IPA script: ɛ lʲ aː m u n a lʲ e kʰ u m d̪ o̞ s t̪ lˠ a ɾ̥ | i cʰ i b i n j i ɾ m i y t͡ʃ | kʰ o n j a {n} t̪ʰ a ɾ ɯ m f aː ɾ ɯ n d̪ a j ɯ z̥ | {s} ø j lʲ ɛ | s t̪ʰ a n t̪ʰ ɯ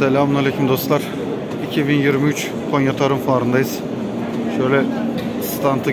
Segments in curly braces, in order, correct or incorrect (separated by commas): incorrect, incorrect